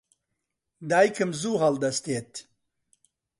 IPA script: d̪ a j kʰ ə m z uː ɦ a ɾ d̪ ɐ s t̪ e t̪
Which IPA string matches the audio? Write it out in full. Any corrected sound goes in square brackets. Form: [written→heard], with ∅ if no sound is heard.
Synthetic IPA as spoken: d̪ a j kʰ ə m z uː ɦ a [ɾ→l] d̪ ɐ s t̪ e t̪